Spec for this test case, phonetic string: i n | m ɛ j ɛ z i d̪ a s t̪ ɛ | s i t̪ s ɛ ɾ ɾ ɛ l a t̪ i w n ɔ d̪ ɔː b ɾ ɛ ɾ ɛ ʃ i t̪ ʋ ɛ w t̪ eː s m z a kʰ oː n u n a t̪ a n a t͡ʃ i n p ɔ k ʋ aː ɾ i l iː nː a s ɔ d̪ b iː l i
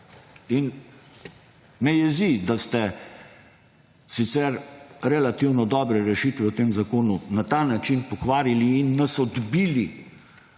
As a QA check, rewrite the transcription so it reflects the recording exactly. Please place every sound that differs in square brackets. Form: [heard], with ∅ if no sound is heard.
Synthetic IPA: i n | m ɛ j ɛ z i d̪ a s t̪ ɛ | s i t̪ s ɛ ɾ ɾ ɛ l a t̪ i w n ɔ d̪ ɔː b ɾ ɛ ɾ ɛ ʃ i t̪ ʋ ɛ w t̪ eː [∅] m z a [k] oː n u n a t̪ a n a t͡ʃ i n p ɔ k ʋ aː ɾ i l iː nː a s ɔ d̪ b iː l i